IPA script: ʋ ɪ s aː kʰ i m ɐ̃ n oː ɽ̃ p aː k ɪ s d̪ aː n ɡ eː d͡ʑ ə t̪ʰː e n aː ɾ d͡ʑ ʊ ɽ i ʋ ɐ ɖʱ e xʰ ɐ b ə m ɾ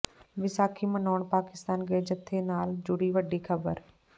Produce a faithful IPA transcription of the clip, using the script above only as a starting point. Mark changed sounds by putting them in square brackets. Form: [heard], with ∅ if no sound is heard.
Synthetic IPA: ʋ ɪ s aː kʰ i m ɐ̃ n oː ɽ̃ p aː k ɪ s [t̪] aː n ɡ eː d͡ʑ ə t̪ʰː e n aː [l] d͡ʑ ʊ ɽ i ʋ ɐ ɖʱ [i] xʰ ɐ b ə [∅] ɾ